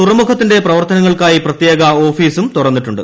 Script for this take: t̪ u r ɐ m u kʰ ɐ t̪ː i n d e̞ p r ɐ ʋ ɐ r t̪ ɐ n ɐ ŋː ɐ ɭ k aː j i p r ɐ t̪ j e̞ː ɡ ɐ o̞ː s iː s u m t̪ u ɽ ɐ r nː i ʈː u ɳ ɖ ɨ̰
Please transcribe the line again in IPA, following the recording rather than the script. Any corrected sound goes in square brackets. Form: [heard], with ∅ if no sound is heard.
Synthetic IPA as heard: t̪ u r ɐ m u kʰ ɐ t̪ː i n d e̞ p r ɐ ʋ ɐ r t̪ ɐ n ɐ ŋː ɐ ɭ k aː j i p r ɐ t̪ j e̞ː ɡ ɐ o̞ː [f] iː s u m t̪ u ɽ ɐ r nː i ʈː u ɳ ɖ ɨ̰